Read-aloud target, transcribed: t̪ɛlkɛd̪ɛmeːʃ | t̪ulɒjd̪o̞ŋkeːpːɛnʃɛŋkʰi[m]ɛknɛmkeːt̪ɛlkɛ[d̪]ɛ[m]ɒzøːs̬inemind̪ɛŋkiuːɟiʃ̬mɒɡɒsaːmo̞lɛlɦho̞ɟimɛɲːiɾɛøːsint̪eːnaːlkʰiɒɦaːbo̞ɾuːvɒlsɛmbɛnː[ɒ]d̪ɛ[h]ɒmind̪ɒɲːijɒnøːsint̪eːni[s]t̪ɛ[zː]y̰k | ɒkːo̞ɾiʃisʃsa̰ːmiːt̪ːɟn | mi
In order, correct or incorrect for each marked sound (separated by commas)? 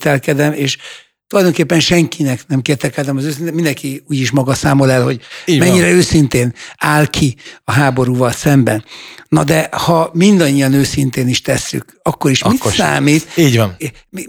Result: incorrect, correct, correct, correct, correct, incorrect, incorrect